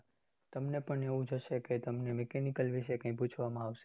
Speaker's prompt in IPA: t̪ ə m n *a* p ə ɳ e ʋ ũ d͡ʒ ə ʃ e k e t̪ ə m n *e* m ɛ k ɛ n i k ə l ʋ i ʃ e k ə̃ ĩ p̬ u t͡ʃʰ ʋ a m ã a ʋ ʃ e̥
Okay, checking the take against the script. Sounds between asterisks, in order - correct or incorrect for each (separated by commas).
incorrect, correct